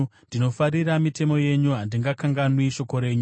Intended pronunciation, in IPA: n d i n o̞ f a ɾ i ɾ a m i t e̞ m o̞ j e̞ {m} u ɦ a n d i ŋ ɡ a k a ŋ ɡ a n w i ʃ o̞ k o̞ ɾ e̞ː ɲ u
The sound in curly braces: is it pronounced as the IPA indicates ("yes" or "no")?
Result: no